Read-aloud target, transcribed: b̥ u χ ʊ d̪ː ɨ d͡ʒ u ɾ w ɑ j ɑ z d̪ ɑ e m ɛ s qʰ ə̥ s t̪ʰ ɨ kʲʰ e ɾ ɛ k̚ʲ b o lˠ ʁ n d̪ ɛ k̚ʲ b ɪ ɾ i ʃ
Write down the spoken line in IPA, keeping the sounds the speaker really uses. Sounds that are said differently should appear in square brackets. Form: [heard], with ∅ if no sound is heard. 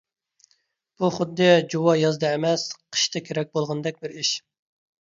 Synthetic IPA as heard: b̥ u χ ʊ d̪ː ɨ d͡ʒ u [∅] w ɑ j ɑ z d̪ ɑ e m ɛ s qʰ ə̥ [ʃ] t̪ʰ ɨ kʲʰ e ɾ ɛ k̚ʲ b o lˠ ʁ n d̪ ɛ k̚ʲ b ɪ ɾ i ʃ